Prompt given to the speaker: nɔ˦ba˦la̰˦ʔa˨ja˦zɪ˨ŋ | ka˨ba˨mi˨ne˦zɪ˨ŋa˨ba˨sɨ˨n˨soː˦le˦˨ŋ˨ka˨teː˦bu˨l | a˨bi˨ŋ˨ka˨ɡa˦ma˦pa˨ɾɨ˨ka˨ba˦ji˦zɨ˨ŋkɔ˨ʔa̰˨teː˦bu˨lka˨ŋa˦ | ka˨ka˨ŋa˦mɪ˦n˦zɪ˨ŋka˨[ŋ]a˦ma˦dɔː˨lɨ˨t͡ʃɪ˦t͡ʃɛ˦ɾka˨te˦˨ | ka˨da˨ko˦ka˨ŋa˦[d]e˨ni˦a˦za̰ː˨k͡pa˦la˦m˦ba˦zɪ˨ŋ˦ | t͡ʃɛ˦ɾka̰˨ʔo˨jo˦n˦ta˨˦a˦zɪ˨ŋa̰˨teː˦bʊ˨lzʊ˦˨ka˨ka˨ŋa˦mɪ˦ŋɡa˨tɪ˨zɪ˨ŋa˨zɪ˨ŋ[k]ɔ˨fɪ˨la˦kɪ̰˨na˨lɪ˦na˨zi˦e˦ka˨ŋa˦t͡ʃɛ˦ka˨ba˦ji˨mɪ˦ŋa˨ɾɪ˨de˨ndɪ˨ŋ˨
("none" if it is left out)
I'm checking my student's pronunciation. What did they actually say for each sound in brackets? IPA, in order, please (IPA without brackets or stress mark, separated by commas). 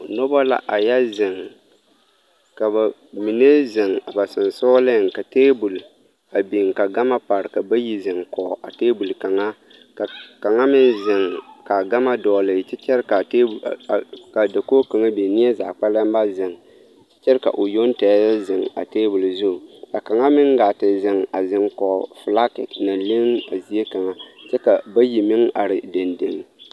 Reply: ɡ, b, k